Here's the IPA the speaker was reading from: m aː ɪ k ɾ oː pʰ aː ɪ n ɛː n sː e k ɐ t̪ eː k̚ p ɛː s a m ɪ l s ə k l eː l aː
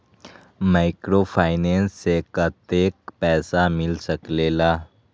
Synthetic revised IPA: m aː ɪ k ɾ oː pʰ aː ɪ n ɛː n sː e k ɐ t̪ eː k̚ p ɛː s a m ɪ l s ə k l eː l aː